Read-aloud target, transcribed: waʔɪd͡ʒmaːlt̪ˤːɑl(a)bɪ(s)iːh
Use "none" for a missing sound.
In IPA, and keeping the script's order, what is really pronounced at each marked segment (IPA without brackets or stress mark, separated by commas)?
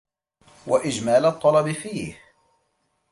ɑ, f